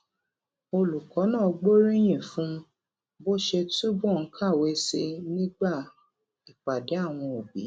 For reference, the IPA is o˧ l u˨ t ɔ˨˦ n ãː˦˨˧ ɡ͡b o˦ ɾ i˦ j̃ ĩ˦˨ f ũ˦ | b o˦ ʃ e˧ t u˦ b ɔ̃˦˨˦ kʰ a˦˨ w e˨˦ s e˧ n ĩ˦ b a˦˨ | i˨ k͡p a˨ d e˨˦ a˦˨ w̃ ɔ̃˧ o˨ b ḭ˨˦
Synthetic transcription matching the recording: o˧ l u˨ k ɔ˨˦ n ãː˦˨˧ ɡ͡b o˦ ɾ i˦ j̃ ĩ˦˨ f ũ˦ | b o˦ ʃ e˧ t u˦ b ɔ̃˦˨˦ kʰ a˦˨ w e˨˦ s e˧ n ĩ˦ ɡ͡b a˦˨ | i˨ k͡p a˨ d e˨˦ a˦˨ w̃ ɔ̃˧ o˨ b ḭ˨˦